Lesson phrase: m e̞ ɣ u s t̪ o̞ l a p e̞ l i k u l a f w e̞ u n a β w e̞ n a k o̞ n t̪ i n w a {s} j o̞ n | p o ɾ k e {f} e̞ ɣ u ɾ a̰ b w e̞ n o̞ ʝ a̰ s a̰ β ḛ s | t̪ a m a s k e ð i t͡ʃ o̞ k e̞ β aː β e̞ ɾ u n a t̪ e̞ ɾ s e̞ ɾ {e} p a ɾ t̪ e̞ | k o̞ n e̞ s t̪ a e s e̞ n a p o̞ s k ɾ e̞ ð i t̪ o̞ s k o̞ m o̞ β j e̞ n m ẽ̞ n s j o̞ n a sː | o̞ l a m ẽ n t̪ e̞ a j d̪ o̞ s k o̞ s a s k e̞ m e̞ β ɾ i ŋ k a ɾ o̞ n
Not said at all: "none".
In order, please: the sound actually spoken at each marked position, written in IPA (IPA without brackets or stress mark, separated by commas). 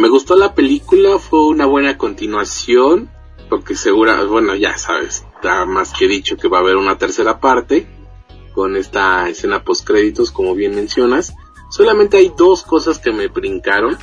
s, s, a